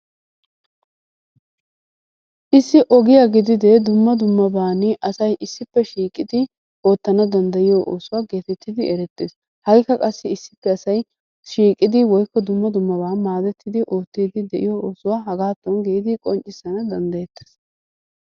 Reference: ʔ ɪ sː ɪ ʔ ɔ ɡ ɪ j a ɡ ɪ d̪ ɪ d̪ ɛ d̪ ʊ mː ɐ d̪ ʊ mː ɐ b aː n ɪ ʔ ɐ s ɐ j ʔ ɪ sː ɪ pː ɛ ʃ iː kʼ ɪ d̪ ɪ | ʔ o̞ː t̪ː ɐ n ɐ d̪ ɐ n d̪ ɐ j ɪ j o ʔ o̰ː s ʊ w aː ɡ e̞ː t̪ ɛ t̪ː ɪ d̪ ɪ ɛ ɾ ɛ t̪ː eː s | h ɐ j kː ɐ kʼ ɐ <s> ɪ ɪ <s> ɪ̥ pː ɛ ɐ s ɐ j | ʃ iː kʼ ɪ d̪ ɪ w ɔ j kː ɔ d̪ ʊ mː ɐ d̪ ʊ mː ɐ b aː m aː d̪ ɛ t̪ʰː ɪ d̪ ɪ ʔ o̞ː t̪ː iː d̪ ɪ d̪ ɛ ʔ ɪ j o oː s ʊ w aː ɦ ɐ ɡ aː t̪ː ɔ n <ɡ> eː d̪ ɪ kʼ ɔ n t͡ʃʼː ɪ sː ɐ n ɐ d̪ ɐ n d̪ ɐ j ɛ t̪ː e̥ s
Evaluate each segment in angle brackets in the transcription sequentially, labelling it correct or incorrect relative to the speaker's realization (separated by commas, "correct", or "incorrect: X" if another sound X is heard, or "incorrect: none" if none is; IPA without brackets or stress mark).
incorrect: sː, incorrect: sː, correct